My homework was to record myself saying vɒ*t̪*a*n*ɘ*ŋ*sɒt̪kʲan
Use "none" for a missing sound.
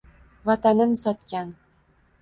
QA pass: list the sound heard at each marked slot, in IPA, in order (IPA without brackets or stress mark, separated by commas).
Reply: t̪, n, n